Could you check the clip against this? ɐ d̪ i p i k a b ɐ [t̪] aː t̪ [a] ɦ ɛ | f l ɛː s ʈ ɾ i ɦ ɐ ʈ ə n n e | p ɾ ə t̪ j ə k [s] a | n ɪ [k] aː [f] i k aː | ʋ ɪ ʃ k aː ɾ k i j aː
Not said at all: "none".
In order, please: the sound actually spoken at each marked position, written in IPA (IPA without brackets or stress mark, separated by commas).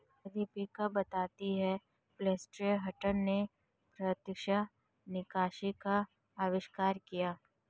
t̪, i, ʃ, k, ʃ